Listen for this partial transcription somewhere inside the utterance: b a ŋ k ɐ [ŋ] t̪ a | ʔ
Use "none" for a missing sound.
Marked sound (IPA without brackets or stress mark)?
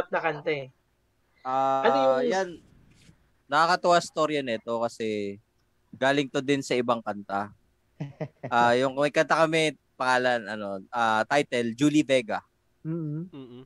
n